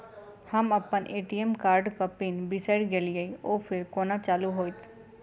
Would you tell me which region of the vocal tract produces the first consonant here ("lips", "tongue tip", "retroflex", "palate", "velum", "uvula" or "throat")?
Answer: throat